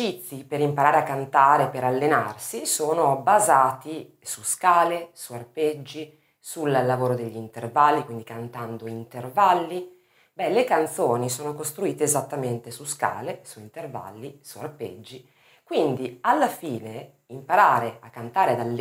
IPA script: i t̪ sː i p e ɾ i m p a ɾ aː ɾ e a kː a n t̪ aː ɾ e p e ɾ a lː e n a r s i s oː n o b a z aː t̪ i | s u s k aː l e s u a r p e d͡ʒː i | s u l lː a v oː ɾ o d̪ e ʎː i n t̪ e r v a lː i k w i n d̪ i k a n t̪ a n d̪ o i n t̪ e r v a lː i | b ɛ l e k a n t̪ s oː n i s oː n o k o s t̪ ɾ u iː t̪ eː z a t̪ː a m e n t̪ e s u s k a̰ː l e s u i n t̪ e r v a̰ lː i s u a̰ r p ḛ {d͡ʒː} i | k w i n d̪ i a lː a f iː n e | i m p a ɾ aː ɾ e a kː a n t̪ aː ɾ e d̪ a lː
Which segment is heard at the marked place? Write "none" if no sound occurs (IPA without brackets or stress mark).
d͡ʒː